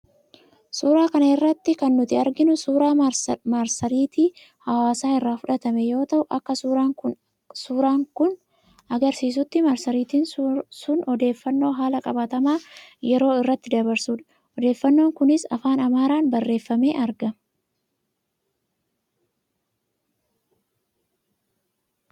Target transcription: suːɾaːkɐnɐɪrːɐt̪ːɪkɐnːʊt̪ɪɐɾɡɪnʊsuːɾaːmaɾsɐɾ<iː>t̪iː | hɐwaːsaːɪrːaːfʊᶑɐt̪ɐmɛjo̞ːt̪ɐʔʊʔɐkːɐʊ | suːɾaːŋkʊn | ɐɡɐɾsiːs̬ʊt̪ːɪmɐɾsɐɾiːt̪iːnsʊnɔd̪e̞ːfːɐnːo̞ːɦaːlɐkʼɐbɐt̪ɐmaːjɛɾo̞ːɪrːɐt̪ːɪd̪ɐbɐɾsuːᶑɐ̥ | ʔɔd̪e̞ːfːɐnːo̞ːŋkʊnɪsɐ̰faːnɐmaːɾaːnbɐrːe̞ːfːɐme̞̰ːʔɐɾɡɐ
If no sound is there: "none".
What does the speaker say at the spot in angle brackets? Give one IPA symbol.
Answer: iː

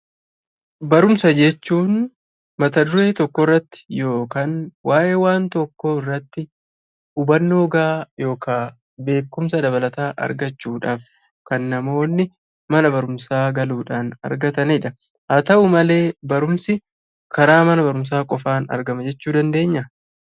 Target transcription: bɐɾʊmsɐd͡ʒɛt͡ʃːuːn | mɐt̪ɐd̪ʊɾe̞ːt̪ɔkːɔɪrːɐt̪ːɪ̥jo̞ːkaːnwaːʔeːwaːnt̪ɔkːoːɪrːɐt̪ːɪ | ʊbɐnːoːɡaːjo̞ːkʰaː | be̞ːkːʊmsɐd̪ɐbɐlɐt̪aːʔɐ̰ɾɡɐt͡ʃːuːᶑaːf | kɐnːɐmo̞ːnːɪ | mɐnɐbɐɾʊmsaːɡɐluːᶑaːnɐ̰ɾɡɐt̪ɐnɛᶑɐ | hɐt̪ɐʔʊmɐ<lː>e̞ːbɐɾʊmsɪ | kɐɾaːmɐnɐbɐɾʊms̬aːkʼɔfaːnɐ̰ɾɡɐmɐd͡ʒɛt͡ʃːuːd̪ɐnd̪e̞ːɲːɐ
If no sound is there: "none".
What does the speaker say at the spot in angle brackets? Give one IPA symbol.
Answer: l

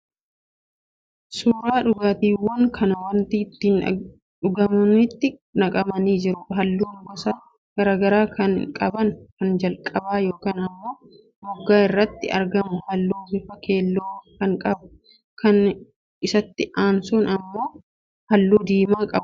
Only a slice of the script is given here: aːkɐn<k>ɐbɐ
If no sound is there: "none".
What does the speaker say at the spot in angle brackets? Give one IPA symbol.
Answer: kʼ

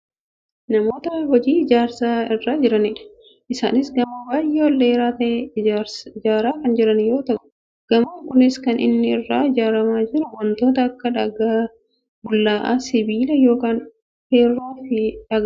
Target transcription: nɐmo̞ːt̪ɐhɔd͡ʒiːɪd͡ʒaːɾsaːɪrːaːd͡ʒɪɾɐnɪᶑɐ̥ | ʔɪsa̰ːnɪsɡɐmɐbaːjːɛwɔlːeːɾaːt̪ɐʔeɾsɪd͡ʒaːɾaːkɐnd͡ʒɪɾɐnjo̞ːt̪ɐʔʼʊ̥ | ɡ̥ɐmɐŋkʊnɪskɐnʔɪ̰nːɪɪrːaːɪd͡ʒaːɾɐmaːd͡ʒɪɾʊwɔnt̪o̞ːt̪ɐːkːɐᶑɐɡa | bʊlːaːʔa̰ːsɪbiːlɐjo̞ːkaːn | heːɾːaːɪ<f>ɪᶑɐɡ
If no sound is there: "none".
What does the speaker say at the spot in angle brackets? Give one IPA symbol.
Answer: f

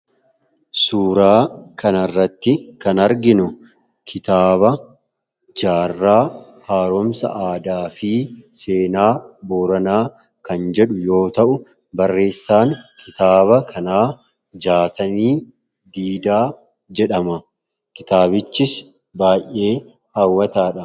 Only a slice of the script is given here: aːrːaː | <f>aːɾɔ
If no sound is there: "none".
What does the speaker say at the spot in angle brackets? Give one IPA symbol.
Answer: h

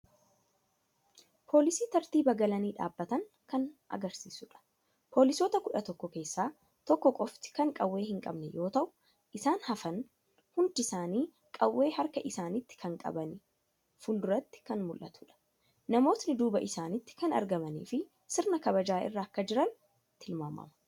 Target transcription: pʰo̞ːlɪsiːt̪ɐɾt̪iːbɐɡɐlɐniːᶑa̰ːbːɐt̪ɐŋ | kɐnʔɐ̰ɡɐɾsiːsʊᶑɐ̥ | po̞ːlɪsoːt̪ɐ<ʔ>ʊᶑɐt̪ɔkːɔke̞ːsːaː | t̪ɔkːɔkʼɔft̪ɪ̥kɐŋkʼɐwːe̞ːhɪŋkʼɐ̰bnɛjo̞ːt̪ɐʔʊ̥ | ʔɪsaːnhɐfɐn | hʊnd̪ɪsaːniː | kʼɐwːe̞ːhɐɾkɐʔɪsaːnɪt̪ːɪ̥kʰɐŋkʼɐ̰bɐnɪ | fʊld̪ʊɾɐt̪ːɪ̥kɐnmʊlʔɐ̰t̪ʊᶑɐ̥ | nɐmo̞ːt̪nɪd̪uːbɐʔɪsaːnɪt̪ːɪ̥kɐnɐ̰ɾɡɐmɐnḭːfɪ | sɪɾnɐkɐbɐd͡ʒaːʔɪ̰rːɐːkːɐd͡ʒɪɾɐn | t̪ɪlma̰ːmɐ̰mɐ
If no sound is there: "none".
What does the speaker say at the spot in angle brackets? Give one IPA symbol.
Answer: k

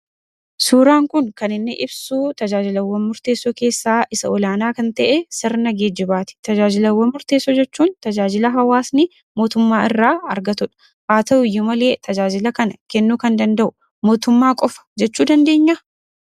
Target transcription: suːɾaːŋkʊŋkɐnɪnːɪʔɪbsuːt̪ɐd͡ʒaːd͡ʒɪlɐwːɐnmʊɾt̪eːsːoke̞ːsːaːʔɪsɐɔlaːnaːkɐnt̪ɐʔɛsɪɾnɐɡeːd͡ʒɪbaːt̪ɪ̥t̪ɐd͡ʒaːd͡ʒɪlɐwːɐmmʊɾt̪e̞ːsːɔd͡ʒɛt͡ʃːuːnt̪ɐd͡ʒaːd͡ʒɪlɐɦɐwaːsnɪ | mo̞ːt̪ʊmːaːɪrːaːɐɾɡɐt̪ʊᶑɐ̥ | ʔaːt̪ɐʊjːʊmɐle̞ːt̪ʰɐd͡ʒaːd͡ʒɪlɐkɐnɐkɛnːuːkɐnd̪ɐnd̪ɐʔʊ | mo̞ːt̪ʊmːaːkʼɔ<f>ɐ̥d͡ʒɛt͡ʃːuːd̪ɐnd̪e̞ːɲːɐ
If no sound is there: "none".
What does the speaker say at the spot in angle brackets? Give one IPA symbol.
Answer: f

